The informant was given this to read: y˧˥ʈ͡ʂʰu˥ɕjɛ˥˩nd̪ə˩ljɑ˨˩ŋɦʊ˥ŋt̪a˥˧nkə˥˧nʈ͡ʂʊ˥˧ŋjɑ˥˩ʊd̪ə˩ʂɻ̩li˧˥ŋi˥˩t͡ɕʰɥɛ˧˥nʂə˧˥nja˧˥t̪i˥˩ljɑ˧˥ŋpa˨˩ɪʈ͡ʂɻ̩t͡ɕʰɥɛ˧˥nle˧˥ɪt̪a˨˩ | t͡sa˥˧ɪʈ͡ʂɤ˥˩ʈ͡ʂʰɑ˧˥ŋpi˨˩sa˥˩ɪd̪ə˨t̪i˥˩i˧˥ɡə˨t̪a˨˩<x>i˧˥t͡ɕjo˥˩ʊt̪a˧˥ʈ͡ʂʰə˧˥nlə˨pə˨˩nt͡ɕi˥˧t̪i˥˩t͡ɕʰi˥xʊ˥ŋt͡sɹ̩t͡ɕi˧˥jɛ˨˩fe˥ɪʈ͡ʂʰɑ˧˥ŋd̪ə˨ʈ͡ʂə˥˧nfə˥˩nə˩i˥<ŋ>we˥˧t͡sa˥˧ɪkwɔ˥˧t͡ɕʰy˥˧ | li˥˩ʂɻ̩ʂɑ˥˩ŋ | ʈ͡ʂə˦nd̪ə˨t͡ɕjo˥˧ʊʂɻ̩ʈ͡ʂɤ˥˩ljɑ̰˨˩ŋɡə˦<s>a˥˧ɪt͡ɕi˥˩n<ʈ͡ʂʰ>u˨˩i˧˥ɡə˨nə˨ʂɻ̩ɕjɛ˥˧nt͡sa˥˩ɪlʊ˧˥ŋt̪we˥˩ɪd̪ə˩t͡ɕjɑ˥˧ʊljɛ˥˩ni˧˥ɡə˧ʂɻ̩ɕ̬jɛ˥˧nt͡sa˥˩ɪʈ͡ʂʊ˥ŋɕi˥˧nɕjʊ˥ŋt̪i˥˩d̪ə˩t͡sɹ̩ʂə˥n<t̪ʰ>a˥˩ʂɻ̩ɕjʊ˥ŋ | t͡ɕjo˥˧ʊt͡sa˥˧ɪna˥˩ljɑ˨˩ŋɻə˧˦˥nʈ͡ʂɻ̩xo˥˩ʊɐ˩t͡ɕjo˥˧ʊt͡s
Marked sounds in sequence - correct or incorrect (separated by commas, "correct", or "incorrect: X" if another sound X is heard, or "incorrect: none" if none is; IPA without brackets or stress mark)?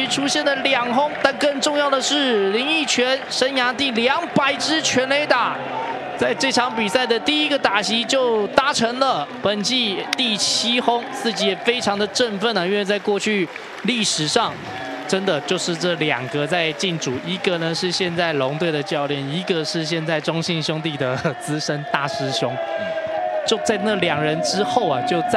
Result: incorrect: ɕ, incorrect: n, incorrect: t͡s, incorrect: ʈ͡ʂ, incorrect: t̪